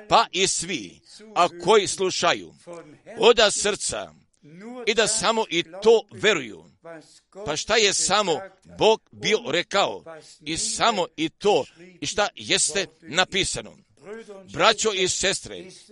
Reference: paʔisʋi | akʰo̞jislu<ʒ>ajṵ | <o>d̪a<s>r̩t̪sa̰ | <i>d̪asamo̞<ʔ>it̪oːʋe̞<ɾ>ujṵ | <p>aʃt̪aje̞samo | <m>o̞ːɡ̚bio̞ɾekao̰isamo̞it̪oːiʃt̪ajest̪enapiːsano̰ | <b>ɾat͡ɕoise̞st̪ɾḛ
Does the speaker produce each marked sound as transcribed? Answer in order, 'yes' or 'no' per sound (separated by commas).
no, yes, yes, yes, yes, yes, yes, no, yes